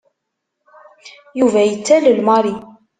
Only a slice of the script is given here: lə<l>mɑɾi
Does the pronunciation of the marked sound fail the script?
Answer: no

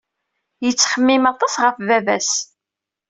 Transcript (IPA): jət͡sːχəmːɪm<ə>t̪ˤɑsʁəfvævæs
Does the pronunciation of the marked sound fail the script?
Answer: yes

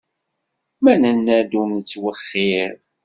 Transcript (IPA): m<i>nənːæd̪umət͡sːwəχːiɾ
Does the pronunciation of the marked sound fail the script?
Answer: yes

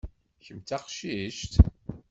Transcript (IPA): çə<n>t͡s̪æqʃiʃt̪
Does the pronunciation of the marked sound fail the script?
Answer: yes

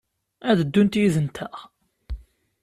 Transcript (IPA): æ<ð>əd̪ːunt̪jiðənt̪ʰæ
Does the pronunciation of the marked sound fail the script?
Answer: no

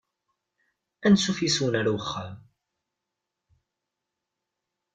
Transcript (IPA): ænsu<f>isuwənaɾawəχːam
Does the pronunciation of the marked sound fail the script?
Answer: no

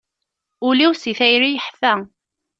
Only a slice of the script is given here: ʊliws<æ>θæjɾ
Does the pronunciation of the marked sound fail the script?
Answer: yes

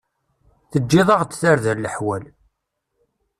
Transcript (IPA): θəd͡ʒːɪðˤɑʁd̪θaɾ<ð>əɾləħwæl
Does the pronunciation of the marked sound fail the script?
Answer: no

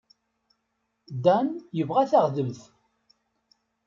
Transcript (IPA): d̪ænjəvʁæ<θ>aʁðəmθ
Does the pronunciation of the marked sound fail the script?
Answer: no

